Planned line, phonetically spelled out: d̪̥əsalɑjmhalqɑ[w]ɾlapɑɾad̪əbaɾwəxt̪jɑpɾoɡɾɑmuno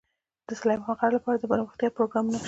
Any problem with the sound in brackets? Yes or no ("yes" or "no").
yes